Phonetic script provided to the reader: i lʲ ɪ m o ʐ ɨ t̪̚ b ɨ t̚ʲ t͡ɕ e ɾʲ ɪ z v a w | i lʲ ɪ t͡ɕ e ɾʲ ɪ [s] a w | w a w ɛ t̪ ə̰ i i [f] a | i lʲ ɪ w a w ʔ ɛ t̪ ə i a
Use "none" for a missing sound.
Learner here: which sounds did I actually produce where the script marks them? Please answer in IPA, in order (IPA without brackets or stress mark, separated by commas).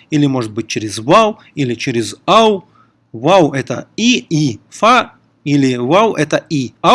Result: z, f